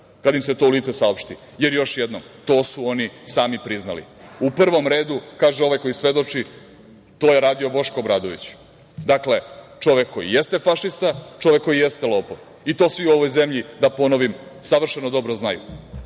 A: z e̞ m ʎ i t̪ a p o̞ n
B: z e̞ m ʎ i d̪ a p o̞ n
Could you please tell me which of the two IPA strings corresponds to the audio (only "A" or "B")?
B